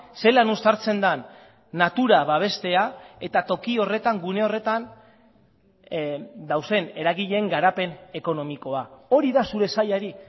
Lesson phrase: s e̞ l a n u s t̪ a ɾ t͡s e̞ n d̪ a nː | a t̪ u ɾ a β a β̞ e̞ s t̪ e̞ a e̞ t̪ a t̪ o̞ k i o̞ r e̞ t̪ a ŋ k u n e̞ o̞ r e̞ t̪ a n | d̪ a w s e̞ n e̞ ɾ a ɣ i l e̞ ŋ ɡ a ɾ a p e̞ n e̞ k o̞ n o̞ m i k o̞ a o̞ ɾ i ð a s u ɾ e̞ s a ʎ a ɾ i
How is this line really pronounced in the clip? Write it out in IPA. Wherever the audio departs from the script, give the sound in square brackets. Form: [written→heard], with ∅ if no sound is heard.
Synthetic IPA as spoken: s e̞ l a n u s t̪ a ɾ t͡s e̞ n d̪ a nː | a t̪ u ɾ a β a β̞ e̞ s t̪ e̞ a e̞ t̪ a t̪ o̞ k i o̞ r e̞ t̪ a ŋ [k→ɡ] u n e̞ o̞ r e̞ t̪ a n | d̪ a w s e̞ n e̞ ɾ a ɣ i [l→ʎ] e̞ ŋ ɡ a ɾ a p e̞ n e̞ k o̞ n o̞ m i k o̞ a o̞ ɾ i ð a s u ɾ e̞ s a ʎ a ɾ i